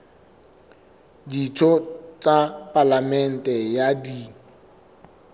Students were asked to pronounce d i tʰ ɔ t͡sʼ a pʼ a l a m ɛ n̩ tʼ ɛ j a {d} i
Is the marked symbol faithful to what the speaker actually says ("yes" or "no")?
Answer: yes